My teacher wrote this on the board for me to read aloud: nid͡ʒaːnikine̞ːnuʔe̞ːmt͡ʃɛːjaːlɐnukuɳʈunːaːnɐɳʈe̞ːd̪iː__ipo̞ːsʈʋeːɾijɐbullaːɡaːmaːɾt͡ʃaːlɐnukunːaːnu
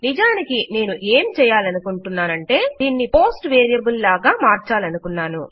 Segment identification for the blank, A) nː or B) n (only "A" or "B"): A